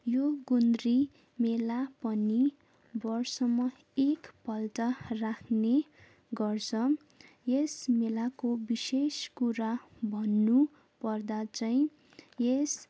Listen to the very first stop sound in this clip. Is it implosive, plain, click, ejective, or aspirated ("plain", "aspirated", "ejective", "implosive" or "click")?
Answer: plain